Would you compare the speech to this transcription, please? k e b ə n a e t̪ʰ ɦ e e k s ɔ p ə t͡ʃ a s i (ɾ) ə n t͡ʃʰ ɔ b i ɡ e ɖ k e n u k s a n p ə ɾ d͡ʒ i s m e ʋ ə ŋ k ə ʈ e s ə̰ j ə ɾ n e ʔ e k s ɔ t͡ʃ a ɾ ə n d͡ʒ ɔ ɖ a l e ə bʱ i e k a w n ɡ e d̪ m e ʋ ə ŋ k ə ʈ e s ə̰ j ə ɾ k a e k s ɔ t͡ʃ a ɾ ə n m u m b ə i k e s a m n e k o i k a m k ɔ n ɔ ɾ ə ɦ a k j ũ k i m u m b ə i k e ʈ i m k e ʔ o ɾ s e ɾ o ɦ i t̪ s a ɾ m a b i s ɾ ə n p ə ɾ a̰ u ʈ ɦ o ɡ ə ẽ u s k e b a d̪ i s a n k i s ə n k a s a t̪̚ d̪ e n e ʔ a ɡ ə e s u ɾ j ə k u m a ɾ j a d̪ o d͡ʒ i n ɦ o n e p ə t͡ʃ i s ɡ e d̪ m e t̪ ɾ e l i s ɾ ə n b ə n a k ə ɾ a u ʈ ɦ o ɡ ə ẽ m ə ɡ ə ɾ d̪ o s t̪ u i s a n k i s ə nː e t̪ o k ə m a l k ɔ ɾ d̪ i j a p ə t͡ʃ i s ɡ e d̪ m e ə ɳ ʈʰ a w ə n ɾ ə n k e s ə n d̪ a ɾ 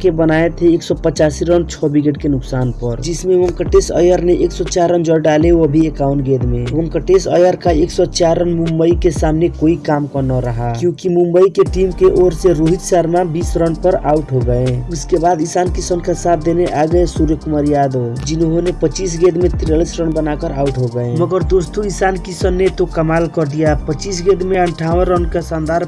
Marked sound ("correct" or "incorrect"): correct